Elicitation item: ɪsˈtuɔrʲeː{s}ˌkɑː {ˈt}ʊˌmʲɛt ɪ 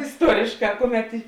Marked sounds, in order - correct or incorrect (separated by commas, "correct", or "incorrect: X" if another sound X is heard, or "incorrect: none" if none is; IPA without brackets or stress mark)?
incorrect: ʃ, incorrect: k